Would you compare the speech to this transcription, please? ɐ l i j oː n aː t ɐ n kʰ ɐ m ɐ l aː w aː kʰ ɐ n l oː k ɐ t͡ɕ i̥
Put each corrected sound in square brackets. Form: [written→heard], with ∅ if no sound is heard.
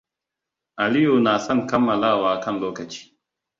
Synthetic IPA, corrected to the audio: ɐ l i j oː n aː [t→s] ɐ n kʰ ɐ m ɐ l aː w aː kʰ ɐ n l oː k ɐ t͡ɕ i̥